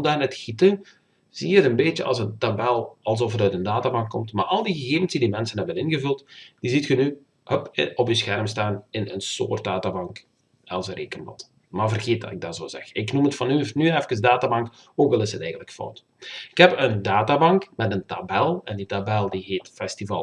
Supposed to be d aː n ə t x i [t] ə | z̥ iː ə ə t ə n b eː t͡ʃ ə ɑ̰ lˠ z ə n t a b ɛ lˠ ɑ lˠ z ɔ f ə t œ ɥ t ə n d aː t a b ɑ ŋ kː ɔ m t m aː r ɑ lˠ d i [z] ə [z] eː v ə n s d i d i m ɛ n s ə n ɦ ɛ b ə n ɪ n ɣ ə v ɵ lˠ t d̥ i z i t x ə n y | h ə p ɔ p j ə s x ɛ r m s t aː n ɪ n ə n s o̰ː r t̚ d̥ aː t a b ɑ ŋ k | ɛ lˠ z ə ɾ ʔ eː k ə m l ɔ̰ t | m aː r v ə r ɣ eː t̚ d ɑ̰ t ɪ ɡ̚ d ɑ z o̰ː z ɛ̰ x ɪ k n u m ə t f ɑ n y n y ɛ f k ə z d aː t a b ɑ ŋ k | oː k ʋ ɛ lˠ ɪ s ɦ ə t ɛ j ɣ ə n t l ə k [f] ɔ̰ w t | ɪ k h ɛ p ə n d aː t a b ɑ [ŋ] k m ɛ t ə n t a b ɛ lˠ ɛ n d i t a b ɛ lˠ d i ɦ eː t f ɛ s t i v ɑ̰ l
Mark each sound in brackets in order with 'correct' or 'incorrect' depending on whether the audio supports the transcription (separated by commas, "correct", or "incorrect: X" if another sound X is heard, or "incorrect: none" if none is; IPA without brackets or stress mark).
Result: correct, incorrect: ɣ, incorrect: ɣ, correct, correct